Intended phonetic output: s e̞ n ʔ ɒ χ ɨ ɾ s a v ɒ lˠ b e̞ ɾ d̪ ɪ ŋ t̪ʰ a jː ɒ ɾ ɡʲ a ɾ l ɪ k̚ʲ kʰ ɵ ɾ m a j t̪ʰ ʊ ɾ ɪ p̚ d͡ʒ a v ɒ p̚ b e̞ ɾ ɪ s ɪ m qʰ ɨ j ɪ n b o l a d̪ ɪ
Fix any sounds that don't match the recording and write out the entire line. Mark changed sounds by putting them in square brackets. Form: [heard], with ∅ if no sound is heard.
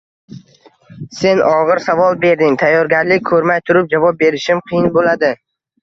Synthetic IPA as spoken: s e̞ n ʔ ɒ [ʁ] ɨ ɾ s a v ɒ lˠ b e̞ ɾ d̪ ɪ ŋ t̪ʰ a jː ɒ ɾ ɡʲ a ɾ l ɪ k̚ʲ kʰ ɵ ɾ m a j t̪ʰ ʊ ɾ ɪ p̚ d͡ʒ a v ɒ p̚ b e̞ ɾ ɪ [ʃ] ɪ m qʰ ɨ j ɪ n b o l a d̪ ɪ